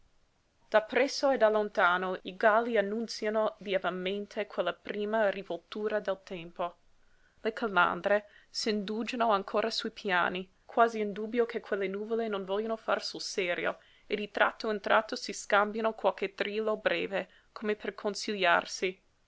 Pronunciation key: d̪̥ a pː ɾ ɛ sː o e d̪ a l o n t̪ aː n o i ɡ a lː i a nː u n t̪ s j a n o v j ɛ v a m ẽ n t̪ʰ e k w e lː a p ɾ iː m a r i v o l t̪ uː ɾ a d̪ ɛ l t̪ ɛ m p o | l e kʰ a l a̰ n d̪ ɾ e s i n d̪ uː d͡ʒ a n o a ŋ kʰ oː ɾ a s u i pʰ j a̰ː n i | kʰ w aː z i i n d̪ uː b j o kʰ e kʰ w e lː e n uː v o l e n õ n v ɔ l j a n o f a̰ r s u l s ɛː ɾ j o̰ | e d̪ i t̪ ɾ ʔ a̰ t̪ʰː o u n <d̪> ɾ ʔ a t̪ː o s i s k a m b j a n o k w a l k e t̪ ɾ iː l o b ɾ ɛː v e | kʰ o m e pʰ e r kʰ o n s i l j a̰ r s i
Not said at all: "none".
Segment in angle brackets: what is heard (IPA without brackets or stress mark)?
t̪